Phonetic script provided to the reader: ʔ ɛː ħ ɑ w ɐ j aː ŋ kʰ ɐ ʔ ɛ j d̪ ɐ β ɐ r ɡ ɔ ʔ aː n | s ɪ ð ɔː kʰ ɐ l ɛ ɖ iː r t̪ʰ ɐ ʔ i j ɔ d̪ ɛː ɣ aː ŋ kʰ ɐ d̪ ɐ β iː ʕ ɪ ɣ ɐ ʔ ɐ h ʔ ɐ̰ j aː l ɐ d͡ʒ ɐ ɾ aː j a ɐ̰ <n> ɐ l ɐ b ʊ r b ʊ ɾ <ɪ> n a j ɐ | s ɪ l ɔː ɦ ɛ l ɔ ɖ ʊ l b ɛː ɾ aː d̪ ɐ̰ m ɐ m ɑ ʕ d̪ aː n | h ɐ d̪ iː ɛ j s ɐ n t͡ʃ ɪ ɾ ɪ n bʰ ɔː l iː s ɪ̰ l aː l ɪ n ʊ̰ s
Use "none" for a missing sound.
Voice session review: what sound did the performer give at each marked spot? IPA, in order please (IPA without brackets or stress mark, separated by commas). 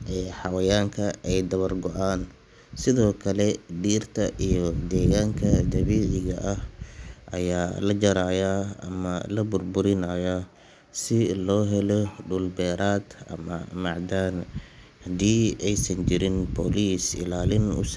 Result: m, ɪ